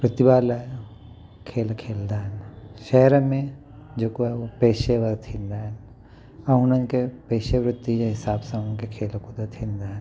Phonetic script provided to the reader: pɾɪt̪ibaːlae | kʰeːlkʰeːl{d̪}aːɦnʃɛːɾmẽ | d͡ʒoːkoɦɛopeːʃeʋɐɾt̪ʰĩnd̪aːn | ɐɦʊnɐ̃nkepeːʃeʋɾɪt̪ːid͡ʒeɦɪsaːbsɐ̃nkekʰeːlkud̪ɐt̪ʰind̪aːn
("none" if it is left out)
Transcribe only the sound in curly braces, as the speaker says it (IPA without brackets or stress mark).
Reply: d̪